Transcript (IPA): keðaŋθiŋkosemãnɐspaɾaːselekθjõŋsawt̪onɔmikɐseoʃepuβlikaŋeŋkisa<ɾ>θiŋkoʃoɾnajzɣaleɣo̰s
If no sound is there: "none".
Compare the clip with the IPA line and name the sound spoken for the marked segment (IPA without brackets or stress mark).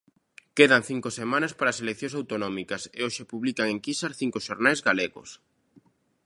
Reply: ɾ